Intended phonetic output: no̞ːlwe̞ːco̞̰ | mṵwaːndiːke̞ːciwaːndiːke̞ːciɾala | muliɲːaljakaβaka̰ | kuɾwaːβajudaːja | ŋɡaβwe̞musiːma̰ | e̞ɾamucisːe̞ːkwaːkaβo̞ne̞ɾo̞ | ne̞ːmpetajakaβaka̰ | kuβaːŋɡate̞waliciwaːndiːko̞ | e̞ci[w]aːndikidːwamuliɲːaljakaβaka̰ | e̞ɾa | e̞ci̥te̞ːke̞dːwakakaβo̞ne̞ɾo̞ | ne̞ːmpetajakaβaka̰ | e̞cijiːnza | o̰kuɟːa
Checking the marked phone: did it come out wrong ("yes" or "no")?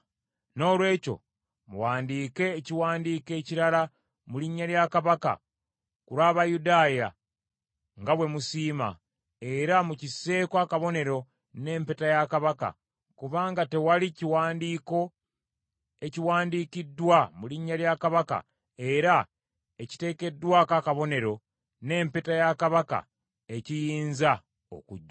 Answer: no